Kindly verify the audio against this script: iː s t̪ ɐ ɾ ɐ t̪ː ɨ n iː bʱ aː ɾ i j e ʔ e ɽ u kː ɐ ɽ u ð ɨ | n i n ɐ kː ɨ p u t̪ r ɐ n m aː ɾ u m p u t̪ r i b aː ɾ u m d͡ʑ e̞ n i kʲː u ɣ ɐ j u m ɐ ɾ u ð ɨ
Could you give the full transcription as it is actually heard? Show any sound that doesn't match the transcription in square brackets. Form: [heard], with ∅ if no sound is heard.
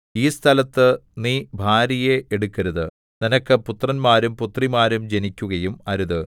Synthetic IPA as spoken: iː s [t̪ʰ] ɐ [l] ɐ t̪ː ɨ n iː bʱ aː ɾ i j e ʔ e ɽ u kː ɐ [ɾ] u ð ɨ | n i n ɐ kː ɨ p u t̪ r ɐ n m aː ɾ u m p u t̪ r i [m] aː ɾ u m d͡ʑ e̞ n i kʲː u ɣ ɐ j u m ɐ ɾ u ð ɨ

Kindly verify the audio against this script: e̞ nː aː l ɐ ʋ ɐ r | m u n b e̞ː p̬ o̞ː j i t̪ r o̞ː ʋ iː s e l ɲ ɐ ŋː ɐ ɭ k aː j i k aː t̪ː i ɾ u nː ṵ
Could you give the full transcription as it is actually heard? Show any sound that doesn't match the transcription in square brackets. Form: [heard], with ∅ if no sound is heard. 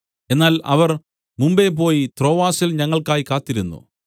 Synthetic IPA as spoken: e̞ nː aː l ɐ ʋ ɐ r | m u [m] b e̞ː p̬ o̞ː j i t̪ r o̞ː ʋ [aː] s [i] l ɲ ɐ ŋː ɐ ɭ k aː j i k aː t̪ː i ɾ u nː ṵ

